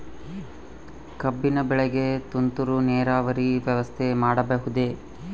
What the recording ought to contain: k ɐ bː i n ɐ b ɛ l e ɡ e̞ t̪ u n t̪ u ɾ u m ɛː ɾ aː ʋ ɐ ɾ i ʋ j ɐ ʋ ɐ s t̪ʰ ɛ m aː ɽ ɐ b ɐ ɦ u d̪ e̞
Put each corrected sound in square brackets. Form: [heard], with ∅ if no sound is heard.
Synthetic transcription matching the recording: k ɐ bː i n ɐ b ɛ [ɭ] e ɡ e̞ t̪ u n t̪ u ɾ u [n] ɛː ɾ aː ʋ ɐ ɾ i ʋ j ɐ ʋ ɐ s t̪ʰ [e] m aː ɽ ɐ b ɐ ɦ u d̪ e̞